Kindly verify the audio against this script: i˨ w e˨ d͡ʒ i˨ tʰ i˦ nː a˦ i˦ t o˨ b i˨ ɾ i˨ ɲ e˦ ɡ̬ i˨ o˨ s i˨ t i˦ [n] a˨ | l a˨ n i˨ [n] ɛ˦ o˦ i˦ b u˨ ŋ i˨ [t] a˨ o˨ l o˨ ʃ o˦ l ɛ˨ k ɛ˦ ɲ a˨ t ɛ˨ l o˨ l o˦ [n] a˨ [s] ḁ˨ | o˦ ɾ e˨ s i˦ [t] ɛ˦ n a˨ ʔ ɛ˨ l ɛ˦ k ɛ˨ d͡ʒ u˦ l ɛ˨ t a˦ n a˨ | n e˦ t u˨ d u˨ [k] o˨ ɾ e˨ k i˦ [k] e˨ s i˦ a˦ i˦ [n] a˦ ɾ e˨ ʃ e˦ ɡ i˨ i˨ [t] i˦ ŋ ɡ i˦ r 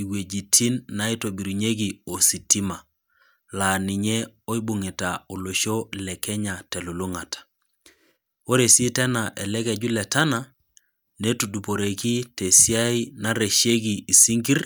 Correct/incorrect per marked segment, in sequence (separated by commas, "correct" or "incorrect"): incorrect, incorrect, correct, incorrect, incorrect, correct, incorrect, incorrect, correct, incorrect